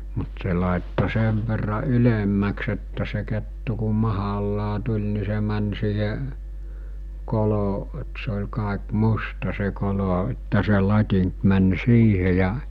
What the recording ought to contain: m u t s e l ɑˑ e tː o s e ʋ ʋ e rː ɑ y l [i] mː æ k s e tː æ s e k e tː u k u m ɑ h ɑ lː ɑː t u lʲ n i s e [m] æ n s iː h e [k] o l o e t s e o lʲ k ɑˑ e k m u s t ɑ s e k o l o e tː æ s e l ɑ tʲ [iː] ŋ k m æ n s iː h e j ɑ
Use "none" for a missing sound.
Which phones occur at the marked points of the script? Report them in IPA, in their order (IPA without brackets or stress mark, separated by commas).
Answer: e, m, k, i